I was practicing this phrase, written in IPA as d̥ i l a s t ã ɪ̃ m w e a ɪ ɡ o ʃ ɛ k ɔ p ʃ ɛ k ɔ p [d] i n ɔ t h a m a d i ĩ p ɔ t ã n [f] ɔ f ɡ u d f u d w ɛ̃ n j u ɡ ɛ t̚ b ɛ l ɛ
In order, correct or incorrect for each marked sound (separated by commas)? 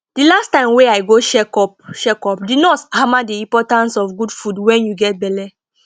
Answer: correct, incorrect